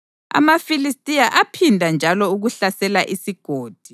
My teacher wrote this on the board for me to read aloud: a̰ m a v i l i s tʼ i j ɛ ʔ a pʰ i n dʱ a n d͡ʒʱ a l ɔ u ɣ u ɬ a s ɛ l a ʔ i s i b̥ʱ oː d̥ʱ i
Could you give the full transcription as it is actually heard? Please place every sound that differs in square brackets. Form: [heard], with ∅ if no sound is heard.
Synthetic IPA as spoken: a̰ m a [f] i l i s tʼ i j [a] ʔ a pʰ i n dʱ a n d͡ʒʱ a l ɔ u ɣ u ɬ a s ɛ l a ʔ i s i [ɡ̥ʱ] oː d̥ʱ i